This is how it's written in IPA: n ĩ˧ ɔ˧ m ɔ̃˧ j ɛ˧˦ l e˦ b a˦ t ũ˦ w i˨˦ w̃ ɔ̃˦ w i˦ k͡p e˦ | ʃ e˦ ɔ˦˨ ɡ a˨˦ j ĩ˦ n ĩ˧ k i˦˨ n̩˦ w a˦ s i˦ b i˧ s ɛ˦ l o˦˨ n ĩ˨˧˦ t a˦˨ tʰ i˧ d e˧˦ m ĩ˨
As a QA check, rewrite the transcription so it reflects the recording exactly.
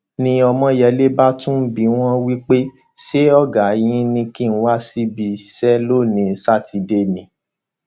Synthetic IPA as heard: n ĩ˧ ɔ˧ m ɔ̃˧ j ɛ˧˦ l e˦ b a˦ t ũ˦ b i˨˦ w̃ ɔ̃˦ w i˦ k͡p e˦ | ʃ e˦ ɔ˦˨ ɡ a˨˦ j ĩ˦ n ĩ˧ k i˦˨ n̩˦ w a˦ s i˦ b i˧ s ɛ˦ l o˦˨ n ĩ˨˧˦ s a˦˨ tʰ i˧ d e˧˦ n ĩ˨